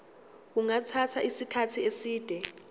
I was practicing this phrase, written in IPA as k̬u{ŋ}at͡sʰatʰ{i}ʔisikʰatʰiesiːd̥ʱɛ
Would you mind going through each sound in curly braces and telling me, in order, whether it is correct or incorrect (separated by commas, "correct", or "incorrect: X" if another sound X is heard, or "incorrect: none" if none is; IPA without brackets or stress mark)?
correct, incorrect: a